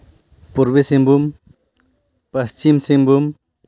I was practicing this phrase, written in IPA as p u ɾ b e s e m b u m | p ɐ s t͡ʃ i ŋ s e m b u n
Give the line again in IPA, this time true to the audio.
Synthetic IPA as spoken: p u ɾ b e s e m b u m | p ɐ s t͡ʃ i m s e m b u m